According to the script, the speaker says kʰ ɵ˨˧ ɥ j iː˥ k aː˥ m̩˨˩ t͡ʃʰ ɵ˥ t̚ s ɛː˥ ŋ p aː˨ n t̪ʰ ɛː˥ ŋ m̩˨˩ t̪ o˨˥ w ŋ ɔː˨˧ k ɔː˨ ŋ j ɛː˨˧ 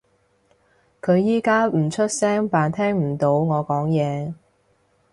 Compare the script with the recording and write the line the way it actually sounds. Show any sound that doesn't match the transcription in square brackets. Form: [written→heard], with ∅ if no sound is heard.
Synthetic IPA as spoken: kʰ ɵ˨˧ ɥ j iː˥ k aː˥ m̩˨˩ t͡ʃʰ ɵ˥ t̚ s ɛː˥ ŋ p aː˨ n t̪ʰ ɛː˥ ŋ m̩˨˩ t̪ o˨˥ w ŋ ɔː˨˧ k [ɔː˨→ɔː˨˥] ŋ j ɛː˨˧